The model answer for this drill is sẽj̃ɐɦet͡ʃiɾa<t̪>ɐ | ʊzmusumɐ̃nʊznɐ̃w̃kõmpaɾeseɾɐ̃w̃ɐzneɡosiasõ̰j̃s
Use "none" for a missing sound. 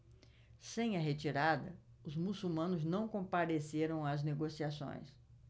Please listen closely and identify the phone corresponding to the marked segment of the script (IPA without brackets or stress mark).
d̪